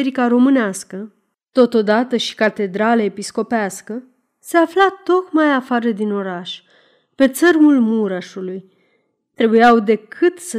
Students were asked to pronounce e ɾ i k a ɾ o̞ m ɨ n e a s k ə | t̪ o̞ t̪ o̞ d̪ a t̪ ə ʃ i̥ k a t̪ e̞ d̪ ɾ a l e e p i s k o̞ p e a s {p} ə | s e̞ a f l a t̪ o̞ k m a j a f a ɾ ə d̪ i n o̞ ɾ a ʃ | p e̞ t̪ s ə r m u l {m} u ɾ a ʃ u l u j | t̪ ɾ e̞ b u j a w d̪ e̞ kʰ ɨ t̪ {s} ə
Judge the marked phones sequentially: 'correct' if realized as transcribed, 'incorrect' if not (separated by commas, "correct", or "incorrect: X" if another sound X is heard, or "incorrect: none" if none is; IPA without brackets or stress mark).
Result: incorrect: k, correct, correct